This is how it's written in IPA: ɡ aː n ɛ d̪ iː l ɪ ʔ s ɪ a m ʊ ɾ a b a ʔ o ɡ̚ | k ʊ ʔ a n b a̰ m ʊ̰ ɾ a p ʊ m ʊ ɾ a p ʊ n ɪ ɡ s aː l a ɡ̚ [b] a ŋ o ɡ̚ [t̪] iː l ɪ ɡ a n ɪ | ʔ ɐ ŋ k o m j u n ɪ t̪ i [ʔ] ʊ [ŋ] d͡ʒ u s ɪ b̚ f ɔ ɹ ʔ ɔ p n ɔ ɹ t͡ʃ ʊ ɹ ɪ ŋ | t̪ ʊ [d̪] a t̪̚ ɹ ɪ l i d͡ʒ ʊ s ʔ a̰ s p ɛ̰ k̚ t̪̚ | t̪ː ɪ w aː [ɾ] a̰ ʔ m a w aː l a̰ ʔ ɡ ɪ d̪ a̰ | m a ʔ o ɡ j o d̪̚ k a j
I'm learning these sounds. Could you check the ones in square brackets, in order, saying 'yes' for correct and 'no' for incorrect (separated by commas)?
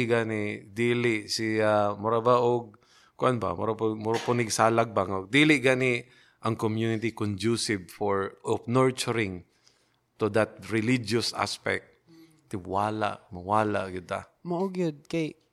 yes, no, no, no, yes, no